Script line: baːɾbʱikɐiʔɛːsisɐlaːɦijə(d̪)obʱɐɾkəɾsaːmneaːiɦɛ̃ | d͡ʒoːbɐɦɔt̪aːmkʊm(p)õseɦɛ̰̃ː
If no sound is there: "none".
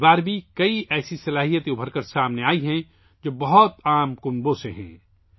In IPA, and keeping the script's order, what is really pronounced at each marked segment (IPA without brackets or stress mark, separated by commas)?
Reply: t̪, b